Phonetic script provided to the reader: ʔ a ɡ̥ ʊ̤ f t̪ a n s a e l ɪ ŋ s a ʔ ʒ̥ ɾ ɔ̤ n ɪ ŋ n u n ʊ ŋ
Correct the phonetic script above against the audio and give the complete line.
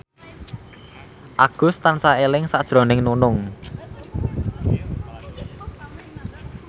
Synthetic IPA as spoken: ʔ a ɡ̥ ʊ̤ s t̪ a n s a e l ɪ ŋ s a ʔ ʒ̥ ɾ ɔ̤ n ɪ ŋ n u n ʊ ŋ